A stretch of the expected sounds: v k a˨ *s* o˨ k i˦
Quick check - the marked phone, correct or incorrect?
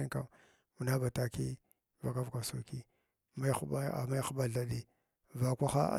correct